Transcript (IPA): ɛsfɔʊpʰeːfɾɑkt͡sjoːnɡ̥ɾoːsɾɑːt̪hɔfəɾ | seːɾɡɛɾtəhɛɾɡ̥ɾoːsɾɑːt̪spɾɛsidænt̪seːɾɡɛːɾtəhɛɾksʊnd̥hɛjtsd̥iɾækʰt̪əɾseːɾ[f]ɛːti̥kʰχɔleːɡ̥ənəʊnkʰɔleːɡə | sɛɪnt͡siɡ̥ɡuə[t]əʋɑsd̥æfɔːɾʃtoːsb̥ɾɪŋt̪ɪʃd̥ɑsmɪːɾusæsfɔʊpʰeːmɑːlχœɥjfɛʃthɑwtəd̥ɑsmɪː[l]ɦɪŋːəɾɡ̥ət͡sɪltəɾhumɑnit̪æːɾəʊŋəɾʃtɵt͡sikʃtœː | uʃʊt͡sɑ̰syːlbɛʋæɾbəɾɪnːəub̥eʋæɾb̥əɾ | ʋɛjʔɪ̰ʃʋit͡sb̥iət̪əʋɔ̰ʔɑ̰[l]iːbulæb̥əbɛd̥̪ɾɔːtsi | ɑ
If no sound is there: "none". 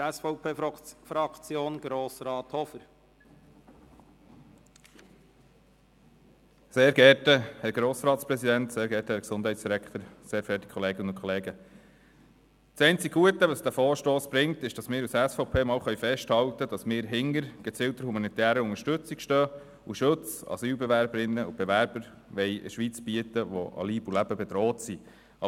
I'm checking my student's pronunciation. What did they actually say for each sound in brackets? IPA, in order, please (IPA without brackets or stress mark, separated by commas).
f, t, ɾ, l